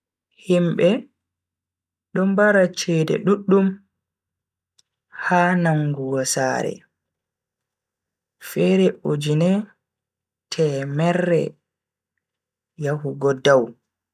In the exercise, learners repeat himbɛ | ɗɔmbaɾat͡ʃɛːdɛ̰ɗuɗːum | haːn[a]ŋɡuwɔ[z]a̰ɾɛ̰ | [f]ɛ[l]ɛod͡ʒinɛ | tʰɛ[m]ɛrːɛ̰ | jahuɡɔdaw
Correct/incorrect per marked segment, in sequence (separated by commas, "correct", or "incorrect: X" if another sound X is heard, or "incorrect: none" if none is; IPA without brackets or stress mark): correct, incorrect: s, correct, incorrect: ɾ, correct